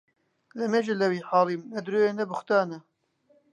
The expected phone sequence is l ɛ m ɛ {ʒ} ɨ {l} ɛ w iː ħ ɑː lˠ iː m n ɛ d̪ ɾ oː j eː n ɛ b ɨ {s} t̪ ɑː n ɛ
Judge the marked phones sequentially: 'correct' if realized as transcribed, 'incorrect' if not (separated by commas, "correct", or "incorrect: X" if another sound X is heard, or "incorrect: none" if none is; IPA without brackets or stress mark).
correct, correct, incorrect: x